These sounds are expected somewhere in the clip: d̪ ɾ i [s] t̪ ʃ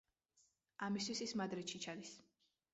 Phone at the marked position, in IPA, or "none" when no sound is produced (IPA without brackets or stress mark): none